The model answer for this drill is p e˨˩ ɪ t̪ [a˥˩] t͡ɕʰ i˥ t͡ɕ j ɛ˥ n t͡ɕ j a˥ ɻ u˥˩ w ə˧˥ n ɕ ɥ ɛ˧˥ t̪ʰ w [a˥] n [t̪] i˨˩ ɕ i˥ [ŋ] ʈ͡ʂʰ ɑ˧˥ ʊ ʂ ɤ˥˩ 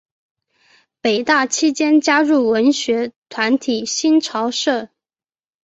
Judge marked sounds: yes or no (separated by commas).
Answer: yes, no, no, no